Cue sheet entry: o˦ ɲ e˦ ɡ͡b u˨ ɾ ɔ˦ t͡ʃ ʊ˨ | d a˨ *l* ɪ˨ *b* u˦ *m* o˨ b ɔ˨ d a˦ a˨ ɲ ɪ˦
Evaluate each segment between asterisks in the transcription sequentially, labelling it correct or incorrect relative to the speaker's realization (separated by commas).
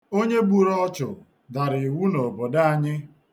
incorrect, incorrect, incorrect